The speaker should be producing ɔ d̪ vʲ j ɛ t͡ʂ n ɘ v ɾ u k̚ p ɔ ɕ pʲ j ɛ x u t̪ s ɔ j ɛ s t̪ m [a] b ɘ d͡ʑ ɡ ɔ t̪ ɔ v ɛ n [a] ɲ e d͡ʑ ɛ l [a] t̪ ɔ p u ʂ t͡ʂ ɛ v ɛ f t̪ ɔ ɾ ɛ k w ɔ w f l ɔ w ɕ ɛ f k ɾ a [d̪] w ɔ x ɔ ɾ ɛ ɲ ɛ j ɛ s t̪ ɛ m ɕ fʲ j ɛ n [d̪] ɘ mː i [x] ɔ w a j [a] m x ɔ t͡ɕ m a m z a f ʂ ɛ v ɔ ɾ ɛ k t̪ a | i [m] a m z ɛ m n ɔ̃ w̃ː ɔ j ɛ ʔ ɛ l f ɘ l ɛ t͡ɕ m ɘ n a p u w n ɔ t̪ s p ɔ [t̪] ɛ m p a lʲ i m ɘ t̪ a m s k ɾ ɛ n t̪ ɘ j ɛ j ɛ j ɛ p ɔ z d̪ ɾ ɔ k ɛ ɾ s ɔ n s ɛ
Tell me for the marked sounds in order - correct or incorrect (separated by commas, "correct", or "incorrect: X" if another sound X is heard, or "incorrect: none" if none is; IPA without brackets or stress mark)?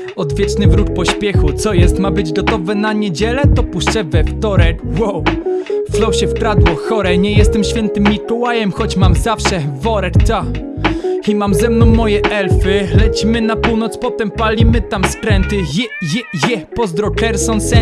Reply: correct, correct, incorrect: ɛ, correct, incorrect: t̪, incorrect: k, incorrect: ɛ, correct, correct